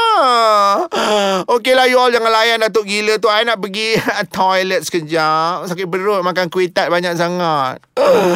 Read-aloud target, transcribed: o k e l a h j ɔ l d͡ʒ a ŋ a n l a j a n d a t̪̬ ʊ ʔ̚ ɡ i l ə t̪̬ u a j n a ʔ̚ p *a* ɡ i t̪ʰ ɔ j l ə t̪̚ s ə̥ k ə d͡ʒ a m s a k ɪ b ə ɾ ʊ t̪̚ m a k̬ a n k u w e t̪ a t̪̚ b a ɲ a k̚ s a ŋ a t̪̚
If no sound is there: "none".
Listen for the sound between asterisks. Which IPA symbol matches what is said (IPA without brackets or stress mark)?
ə